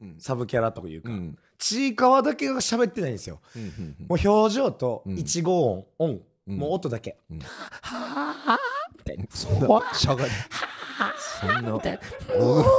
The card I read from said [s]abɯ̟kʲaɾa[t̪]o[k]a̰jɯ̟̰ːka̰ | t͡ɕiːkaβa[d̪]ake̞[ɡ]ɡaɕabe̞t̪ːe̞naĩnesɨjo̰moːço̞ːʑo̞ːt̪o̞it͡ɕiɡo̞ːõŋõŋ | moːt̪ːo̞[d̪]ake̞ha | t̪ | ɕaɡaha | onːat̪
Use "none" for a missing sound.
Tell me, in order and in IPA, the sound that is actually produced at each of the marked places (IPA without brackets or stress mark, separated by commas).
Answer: s, t̪, k, d̪, ɡ, d̪